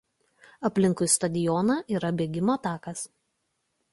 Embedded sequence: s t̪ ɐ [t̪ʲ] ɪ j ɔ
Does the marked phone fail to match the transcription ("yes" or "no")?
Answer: yes